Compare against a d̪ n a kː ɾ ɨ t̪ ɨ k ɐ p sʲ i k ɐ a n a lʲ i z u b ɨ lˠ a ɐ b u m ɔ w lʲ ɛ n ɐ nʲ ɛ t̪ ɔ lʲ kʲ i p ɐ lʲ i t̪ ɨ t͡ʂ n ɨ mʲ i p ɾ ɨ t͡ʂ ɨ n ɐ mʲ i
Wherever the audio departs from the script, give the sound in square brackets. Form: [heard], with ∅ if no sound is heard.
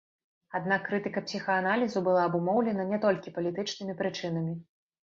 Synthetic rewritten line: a d̪ n a kː ɾ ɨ t̪ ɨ k ɐ p sʲ i [x] ɐ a n a lʲ i z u b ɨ lˠ a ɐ b u m ɔ w lʲ ɛ n ɐ nʲ ɛ t̪ ɔ lʲ kʲ i p ɐ lʲ i t̪ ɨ t͡ʂ n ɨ mʲ i p ɾ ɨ t͡ʂ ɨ n ɐ mʲ i